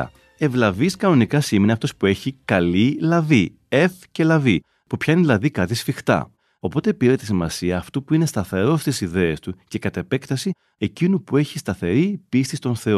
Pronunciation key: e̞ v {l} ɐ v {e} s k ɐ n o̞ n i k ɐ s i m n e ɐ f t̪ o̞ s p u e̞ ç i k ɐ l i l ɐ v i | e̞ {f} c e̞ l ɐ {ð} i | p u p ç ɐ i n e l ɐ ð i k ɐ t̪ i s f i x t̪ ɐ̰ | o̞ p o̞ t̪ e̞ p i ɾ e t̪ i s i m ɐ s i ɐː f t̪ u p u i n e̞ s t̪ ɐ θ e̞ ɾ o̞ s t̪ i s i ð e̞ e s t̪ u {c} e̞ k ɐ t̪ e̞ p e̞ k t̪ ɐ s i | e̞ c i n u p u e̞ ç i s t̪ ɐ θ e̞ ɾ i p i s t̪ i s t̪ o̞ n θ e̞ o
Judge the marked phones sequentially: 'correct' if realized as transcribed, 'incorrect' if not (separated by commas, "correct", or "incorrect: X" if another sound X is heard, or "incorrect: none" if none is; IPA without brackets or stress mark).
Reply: correct, incorrect: i, correct, incorrect: v, correct